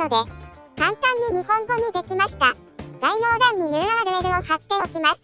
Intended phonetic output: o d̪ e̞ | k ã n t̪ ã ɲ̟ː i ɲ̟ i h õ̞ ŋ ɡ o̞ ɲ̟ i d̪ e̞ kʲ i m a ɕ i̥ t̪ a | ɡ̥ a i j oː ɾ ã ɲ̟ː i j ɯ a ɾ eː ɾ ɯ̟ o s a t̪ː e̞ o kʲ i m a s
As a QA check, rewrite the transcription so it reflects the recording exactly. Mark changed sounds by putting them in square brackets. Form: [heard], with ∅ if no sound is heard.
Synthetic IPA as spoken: o d̪ e̞ | k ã n t̪ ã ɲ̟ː i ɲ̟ i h õ̞ ŋ ɡ o̞ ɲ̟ i d̪ e̞ kʲ i m a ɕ i̥ t̪ a | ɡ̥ a i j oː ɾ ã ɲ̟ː i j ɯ a ɾ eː ɾ ɯ̟ o [h] a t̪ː e̞ o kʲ i m a s